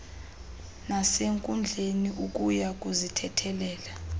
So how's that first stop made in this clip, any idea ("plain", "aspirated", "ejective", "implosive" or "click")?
ejective